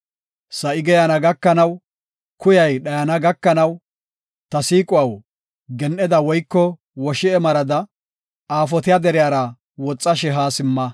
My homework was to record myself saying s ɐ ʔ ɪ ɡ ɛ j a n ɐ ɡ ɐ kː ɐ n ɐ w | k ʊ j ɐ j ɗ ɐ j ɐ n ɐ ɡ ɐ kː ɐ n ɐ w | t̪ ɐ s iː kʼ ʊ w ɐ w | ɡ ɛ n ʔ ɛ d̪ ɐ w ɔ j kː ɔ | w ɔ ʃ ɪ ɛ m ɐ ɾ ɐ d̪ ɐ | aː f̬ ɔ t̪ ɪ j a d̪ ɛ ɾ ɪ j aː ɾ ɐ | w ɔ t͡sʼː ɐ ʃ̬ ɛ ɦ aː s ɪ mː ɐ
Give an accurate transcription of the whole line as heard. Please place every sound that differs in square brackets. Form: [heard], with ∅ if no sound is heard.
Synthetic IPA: s ɐ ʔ ɪ ɡ ɛ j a n ɐ ɡ ɐ kː ɐ n ɐ w | k ʊ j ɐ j ɗ ɐ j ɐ n ɐ ɡ ɐ kː ɐ n ɐ w | t̪ ɐ s iː kʼ ʊ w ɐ w | ɡ ɛ n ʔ ɛ d̪ ɐ w ɔ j kː ɔ | w ɔ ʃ ɪ ɛ m ɐ ɾ ɐ d̪ ɐ | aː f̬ ɔ t̪ ɪ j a d̪ ɛ ɾ ɪ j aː ɾ ɐ | w ɔ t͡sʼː ɐ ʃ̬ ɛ ɦ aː s ɪ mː ɐ